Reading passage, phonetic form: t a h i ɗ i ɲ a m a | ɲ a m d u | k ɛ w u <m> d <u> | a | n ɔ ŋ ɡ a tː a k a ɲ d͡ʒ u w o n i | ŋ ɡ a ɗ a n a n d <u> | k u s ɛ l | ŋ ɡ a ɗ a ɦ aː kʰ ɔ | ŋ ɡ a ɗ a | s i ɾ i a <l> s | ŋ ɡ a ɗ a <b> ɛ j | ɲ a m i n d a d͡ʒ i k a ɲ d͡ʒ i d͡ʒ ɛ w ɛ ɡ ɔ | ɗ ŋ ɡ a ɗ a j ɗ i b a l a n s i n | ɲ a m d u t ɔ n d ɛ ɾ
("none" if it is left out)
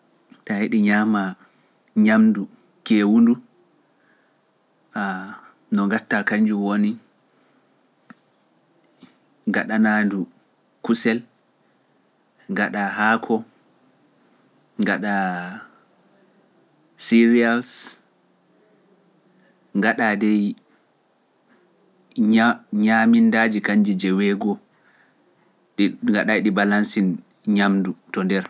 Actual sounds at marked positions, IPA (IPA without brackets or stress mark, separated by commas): n, u, u, l, d